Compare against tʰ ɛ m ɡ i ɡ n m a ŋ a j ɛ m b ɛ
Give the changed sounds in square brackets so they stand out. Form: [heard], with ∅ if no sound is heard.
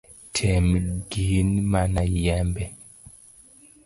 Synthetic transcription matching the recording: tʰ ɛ m ɡ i [∅] n m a [n] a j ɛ m b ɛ